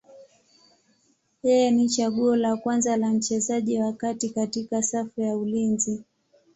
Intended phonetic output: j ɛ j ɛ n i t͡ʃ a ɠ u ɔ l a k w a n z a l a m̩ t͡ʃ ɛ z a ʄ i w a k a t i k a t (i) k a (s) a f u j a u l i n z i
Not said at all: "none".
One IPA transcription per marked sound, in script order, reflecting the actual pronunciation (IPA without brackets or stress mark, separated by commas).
i, s